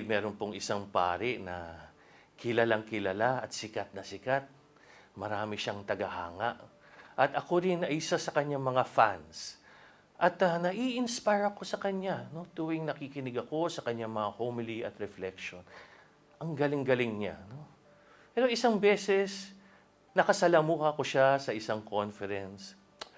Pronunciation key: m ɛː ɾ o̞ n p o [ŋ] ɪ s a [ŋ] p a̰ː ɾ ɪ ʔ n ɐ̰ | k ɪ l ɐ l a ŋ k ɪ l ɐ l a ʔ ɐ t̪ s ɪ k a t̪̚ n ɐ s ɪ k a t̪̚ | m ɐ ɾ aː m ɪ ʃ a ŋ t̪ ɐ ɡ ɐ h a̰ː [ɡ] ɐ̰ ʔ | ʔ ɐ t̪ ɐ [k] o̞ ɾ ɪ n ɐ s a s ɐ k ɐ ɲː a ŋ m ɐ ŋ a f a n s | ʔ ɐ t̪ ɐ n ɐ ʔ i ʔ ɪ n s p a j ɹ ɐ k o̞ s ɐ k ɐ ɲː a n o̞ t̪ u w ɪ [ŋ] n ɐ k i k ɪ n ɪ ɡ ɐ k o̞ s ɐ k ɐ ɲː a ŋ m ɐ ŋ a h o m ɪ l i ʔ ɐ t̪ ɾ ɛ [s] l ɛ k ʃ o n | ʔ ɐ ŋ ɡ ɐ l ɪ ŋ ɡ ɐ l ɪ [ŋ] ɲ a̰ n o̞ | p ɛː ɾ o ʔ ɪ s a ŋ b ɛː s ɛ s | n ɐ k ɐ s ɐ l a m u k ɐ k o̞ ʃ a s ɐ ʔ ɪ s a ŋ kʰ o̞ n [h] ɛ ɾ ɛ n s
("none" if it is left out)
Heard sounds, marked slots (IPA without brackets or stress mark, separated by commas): ŋ, ŋ, ŋ, k, ŋ, f, ŋ, f